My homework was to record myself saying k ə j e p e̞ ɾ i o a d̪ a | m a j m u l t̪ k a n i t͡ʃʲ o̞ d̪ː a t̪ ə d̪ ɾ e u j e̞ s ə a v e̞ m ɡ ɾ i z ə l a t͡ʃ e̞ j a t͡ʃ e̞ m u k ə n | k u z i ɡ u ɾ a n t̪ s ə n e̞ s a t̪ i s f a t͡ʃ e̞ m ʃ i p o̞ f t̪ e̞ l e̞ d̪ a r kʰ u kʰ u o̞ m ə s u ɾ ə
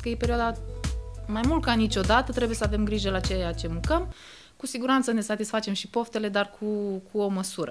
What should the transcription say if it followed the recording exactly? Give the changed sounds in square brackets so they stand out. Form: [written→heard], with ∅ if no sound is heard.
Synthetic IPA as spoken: k ə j e p e̞ ɾ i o a d̪ a | m a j m u l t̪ k a n i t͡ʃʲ o̞ [d̪ː→d̪] a t̪ ə [d̪→t̪] ɾ e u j e̞ s ə a v e̞ m ɡ ɾ i [z→ʒ] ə l a t͡ʃ e̞ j a t͡ʃ e̞ m u k ə [n→m] | k u [z→s] i ɡ u ɾ a n t̪ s ə n e̞ s a t̪ i s f a t͡ʃ e̞ m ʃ i p o̞ f t̪ e̞ l e̞ d̪ a r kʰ u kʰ u o̞ m ə s u ɾ ə